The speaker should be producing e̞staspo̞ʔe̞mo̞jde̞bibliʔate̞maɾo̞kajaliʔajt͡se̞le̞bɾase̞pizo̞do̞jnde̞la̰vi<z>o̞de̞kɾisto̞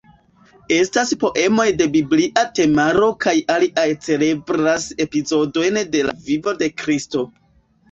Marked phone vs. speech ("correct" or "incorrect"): incorrect